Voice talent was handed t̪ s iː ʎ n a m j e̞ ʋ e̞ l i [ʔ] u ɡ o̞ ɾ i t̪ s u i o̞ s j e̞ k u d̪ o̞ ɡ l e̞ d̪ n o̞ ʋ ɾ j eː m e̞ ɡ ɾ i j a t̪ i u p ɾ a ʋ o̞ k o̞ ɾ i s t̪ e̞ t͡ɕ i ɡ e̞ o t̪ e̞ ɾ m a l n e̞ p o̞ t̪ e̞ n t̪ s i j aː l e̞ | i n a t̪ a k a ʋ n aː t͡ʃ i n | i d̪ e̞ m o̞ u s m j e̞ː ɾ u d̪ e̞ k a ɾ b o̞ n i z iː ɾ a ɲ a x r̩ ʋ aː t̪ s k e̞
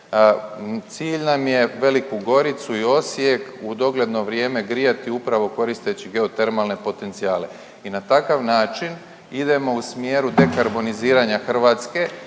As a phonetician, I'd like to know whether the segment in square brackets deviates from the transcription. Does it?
yes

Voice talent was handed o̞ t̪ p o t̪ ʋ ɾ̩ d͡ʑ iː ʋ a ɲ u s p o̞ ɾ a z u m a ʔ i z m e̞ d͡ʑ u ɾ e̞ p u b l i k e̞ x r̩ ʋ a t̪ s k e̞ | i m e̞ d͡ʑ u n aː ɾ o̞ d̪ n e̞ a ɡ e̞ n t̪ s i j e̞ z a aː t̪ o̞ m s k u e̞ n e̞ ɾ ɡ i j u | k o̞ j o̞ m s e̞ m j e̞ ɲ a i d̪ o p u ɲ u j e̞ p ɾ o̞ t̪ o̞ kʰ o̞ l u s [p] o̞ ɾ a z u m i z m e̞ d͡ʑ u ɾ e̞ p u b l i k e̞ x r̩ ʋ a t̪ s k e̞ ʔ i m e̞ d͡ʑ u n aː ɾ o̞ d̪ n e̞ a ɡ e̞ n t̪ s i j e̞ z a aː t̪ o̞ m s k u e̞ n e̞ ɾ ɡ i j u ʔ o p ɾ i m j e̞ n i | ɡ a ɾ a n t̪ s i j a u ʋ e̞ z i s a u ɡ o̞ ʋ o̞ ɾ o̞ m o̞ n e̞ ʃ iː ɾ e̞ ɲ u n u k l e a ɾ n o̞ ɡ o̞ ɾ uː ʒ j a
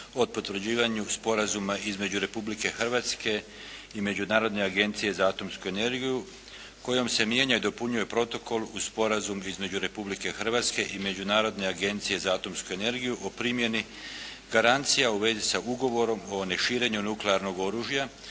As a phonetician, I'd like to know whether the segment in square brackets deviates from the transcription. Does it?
no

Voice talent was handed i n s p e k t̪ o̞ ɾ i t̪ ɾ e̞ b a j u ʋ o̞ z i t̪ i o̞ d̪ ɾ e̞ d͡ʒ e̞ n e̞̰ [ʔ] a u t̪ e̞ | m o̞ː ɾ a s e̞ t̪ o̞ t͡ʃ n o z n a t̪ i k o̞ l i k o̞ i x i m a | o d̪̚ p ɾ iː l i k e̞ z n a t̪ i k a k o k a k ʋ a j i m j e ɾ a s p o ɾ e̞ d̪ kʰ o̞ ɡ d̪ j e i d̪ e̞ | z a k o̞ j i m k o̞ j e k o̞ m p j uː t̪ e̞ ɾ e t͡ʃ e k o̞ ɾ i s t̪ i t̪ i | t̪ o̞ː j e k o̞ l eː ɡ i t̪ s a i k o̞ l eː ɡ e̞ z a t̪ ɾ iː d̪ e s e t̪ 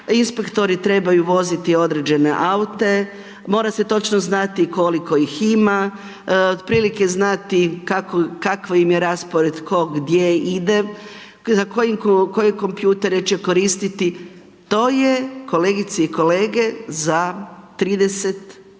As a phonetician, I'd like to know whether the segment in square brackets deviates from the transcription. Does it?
no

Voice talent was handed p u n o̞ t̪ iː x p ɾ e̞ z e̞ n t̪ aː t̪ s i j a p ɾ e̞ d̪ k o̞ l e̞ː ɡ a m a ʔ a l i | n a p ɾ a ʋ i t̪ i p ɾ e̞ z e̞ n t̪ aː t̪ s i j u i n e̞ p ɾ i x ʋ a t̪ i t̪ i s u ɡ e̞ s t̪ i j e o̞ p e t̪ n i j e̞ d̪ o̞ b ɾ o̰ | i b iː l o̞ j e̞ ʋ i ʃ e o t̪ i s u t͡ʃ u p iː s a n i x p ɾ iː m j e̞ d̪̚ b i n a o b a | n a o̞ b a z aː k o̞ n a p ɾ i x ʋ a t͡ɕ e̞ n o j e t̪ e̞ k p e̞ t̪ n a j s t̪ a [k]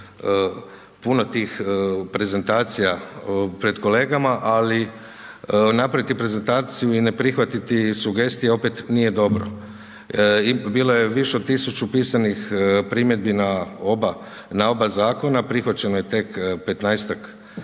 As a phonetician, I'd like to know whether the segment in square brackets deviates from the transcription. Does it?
no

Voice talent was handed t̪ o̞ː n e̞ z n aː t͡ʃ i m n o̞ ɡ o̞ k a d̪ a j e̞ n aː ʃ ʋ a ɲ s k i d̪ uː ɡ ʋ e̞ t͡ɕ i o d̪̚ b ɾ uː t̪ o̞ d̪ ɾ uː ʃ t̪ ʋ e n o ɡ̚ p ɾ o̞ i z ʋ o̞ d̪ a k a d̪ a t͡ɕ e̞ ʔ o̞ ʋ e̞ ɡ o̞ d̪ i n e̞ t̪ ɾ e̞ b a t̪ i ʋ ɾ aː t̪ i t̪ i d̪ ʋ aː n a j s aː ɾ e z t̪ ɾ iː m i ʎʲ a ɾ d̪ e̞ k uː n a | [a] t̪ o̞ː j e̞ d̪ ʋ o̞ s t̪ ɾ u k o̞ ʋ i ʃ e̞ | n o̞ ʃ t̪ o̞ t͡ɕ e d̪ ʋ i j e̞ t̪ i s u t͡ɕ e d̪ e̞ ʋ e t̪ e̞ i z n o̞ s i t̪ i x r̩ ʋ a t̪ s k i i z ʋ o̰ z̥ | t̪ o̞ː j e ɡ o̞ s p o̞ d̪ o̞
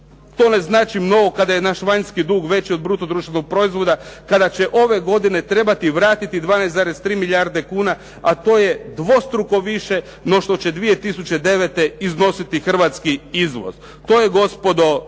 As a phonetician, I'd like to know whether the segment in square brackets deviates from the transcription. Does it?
no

